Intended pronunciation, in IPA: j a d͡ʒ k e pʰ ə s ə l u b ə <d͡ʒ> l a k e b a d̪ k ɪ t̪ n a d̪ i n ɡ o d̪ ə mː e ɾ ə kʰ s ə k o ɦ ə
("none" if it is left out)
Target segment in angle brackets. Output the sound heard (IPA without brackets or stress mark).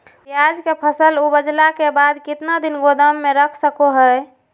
d͡ʒ